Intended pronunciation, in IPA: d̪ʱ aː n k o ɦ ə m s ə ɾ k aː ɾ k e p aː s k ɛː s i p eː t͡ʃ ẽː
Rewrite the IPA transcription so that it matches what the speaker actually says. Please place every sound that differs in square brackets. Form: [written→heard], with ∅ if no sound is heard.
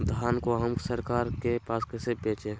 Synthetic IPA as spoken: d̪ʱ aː n k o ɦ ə m s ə ɾ k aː ɾ k e p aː s k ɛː s [i→e] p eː t͡ʃ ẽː

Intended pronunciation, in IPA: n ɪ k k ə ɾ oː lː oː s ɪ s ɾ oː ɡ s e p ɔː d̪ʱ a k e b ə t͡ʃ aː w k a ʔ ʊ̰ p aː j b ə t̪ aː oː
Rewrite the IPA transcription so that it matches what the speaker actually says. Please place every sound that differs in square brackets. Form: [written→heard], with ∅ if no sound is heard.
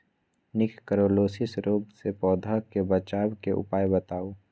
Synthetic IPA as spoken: n ɪ k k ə ɾ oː [lː→l] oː s ɪ s ɾ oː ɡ s e p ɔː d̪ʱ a k e b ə t͡ʃ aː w k [a→e] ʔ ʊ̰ p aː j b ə t̪ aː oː

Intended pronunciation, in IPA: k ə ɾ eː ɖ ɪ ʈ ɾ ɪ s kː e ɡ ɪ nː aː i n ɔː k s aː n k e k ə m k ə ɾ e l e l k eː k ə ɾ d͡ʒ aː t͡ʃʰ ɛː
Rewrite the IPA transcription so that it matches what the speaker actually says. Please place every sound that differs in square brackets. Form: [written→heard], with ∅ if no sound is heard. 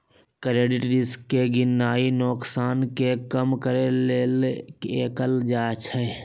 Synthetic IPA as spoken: k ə ɾ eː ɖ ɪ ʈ ɾ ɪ s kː e ɡ ɪ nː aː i n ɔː k s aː n k e k ə m k ə ɾ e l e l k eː k ə [ɾ→l] d͡ʒ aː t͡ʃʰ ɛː

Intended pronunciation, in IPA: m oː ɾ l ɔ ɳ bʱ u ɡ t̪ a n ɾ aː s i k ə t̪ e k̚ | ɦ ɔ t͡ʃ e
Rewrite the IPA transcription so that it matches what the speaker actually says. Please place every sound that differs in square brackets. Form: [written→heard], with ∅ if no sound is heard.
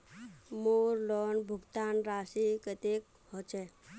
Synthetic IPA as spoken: m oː ɾ l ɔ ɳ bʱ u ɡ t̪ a n ɾ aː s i k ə t̪ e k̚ | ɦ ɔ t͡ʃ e

